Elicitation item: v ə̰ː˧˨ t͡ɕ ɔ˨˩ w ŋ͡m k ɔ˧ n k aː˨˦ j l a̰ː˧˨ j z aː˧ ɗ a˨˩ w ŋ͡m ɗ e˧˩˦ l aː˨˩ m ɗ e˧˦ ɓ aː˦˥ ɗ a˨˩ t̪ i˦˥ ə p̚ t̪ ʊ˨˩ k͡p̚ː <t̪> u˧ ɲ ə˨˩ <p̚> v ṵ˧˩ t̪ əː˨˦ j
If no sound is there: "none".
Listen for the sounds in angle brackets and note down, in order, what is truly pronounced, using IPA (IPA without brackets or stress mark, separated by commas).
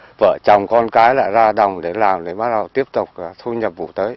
t̪ʰ, p̚